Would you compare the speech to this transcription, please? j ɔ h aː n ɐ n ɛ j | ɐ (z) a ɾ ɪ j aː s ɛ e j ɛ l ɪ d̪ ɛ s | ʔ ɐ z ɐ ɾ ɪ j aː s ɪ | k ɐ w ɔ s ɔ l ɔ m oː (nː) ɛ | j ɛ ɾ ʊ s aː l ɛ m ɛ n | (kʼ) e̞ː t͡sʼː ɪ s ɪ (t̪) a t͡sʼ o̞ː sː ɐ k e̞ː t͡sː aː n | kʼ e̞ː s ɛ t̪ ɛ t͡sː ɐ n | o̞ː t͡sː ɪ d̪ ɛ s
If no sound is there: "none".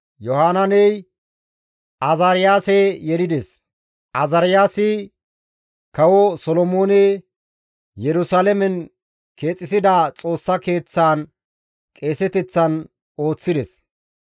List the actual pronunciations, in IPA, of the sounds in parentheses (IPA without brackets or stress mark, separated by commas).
z, n, k, d̪